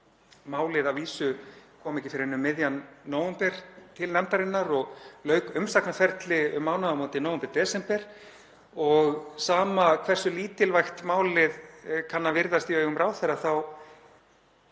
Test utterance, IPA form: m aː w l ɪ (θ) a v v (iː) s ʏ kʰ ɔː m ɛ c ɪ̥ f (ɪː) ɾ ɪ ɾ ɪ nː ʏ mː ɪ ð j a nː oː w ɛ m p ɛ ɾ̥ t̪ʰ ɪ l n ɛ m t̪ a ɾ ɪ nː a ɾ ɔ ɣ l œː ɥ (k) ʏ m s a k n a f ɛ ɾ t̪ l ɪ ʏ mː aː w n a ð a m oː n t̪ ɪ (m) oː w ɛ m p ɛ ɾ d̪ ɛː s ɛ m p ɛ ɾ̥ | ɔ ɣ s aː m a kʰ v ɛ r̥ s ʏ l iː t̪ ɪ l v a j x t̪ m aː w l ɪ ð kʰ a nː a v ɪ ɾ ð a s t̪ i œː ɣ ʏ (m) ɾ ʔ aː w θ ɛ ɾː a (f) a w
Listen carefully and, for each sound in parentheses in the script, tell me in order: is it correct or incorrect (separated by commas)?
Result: incorrect, correct, incorrect, correct, incorrect, correct, incorrect